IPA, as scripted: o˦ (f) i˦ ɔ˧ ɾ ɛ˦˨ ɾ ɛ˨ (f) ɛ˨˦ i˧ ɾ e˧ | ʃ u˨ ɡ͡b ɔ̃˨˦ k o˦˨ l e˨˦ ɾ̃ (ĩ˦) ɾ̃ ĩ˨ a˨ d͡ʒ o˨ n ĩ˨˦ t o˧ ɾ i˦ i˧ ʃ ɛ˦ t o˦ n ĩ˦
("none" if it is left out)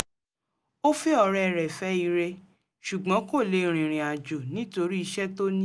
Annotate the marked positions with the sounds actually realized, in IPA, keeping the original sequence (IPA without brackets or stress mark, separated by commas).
f, f, ĩ˨